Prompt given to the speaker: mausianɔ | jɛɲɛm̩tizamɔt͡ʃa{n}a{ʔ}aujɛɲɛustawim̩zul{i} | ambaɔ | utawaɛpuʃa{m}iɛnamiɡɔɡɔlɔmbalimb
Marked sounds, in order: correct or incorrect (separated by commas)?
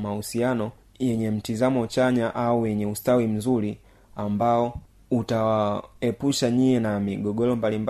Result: incorrect, correct, correct, incorrect